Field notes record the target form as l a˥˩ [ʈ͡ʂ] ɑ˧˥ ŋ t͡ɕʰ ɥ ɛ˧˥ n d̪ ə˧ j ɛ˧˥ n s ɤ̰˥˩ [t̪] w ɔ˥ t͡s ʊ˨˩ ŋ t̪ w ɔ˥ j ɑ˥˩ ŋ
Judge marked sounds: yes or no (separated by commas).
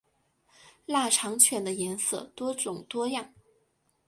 no, yes